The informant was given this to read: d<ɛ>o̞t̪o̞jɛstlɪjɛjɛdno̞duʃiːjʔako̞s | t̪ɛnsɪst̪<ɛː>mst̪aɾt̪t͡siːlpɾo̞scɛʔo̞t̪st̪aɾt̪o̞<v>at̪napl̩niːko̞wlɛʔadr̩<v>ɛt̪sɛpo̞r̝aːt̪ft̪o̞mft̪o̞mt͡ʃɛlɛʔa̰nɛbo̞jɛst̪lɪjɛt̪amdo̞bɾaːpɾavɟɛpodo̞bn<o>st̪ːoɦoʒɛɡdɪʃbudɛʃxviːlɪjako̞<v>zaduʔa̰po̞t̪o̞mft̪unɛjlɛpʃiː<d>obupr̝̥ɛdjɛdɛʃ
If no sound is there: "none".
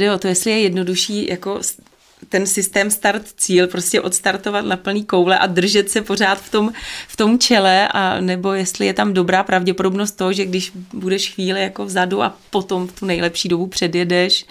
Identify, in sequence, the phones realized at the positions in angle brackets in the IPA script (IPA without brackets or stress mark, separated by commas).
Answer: ɛ, ɛː, v, ʒ, o, v, d